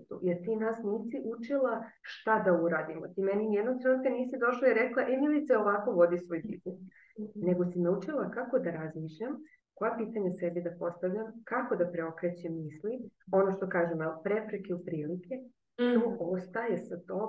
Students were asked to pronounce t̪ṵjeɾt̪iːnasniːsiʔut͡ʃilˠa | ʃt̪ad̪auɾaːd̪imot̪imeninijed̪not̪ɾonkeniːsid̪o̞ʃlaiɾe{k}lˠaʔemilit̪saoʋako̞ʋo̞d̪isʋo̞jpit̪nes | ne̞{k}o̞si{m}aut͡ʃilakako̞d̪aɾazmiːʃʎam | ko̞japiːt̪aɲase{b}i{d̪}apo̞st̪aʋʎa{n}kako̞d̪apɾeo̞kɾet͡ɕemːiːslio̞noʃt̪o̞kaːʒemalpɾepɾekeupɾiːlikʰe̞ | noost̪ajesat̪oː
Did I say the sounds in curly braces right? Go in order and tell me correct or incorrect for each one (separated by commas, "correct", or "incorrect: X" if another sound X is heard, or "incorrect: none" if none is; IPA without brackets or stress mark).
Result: correct, incorrect: ɡ, incorrect: n, correct, correct, incorrect: m